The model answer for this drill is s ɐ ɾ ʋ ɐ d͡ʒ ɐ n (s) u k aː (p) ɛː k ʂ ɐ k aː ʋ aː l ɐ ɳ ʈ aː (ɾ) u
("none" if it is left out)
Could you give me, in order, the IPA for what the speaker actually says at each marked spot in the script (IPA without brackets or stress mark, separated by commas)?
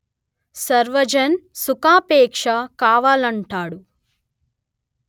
s, p, ɽ